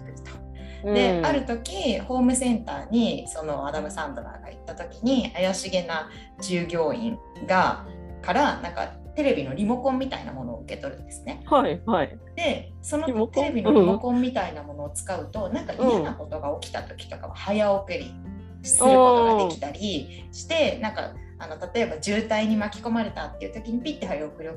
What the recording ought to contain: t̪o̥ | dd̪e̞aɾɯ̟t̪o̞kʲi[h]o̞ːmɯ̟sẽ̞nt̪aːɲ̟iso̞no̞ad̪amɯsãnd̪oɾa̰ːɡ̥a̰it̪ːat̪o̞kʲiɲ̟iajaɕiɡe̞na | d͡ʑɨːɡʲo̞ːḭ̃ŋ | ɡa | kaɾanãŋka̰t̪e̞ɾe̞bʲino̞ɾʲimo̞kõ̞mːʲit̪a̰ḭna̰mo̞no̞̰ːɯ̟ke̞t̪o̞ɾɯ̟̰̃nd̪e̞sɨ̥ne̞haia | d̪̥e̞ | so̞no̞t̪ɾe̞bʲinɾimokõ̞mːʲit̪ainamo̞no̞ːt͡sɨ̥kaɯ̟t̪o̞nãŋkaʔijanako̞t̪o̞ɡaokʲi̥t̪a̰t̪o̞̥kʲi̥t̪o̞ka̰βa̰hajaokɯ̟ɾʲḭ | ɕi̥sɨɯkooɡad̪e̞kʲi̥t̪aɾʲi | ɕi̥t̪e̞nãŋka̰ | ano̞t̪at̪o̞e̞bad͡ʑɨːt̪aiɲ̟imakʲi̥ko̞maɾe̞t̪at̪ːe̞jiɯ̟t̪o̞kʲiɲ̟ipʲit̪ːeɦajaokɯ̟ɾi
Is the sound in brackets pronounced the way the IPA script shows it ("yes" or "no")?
yes